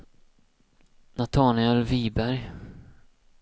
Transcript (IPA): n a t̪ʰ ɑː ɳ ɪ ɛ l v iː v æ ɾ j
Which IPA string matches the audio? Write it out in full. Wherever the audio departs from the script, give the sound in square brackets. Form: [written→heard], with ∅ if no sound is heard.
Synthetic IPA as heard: n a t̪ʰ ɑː [ɳ→n] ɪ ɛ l v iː [v→b] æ ɾ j